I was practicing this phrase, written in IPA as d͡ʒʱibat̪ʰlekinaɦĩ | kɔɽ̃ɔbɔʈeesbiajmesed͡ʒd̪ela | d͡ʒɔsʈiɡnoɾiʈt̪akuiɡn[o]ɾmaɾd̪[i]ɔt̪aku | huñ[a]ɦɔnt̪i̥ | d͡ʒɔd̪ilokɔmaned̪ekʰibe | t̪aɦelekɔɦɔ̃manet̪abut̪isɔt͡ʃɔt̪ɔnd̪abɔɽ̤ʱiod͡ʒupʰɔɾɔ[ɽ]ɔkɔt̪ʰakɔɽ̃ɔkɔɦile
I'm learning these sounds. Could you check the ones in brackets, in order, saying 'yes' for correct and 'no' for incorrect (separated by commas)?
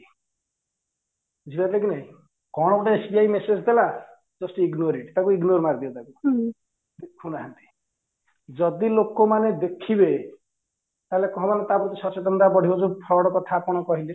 yes, yes, yes, yes